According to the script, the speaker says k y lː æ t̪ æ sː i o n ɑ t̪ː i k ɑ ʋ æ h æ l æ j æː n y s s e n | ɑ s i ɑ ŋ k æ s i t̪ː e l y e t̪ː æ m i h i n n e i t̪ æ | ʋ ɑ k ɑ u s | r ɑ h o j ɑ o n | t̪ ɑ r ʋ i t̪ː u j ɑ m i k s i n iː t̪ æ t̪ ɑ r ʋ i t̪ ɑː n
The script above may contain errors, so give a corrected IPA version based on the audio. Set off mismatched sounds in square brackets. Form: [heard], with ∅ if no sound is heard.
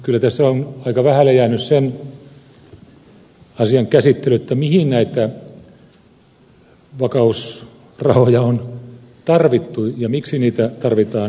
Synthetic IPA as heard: k y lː æ t̪ æ sː [æ] o n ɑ [∅] i k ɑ ʋ æ h æ l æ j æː n y s s e n | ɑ s i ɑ ŋ k æ s i t̪ː e l y e t̪ː æ m i h i n n [æ] i t̪ æ | ʋ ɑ k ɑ u s | r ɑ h o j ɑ o n | t̪ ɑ r ʋ i t̪ː u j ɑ m i k s i n iː t̪ æ t̪ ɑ r ʋ i t̪ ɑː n

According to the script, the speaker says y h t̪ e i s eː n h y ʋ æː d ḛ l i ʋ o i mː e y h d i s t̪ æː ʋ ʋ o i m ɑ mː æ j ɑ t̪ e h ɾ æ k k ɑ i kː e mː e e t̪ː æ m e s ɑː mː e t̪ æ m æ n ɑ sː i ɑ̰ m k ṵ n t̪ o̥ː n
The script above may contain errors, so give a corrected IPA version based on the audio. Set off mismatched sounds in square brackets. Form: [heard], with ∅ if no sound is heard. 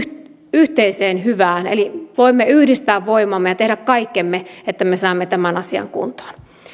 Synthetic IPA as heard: y h t̪ e i s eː n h y ʋ æː [n] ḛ l i ʋ o i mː e y h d i s t̪ æː ʋ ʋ o i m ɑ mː [e] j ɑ t̪ e h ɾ æ k k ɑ i kː e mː e e t̪ː æ m e s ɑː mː e t̪ æ m æ n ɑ [s] i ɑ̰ [ŋ] k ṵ n t̪ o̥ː n

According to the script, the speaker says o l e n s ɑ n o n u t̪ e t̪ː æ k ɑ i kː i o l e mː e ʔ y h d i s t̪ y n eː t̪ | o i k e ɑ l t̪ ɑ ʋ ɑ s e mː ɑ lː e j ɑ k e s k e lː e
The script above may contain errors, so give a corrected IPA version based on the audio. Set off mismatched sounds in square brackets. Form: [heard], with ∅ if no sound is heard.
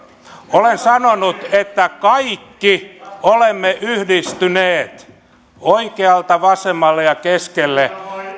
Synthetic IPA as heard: o l e n s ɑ n o n u t̪ e t̪ː æ k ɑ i kː i o l e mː e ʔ y h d i s t̪ y n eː t̪ | o i k e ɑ l t̪ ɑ ʋ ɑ s e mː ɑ lː e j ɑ k e s k e lː e

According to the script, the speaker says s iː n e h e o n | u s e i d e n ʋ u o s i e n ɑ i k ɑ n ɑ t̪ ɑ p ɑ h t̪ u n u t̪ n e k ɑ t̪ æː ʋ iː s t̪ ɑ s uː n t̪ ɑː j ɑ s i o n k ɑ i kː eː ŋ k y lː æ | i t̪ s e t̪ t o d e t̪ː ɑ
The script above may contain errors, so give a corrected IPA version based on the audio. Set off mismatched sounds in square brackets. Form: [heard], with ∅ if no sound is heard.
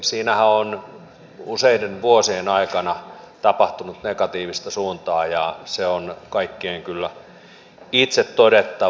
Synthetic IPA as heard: s iː n [æ] h [æ] o n | u s e i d e n ʋ u o s i e n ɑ i k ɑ n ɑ t̪ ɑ p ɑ h t̪ u n u t̪ n e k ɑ t̪ [iː] ʋ [i] s t̪ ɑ s uː n t̪ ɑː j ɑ s [e] o n k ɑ i kː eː ŋ k y lː æ | i t̪ s e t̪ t o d e t̪ː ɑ

